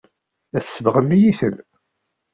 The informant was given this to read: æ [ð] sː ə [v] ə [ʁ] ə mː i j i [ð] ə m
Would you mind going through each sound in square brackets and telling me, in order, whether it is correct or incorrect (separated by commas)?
incorrect, correct, correct, incorrect